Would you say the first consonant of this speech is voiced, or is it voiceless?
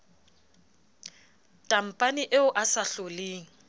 voiceless